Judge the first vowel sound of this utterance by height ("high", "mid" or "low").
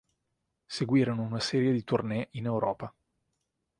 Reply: mid